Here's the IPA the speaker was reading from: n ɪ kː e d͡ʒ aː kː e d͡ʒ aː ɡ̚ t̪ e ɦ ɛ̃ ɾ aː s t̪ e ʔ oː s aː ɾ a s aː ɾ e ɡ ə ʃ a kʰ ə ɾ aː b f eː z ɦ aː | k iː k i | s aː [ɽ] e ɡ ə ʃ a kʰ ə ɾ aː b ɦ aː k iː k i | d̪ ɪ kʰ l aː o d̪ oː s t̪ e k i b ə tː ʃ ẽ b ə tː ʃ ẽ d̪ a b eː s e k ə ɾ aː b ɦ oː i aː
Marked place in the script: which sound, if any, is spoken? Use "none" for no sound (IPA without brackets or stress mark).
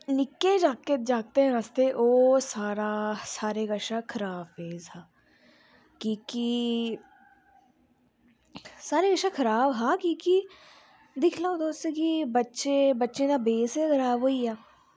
ɾ